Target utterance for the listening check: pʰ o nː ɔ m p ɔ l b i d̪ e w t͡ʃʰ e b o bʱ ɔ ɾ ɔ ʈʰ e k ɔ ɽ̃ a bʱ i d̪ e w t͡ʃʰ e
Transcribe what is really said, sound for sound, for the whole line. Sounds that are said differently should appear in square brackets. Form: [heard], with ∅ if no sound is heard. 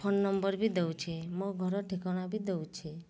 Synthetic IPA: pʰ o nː ɔ m [b] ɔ [ɾ] b i d̪ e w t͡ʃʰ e [m] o [ɡʱ] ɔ ɾ ɔ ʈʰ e k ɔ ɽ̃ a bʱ i d̪ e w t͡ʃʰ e